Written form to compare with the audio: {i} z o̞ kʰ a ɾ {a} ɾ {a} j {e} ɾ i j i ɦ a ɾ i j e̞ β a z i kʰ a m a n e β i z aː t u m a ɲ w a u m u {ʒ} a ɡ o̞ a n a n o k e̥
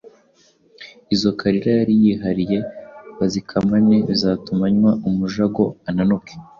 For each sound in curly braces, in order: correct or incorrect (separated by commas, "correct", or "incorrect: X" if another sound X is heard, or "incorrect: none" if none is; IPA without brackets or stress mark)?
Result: correct, incorrect: i, correct, incorrect: a, correct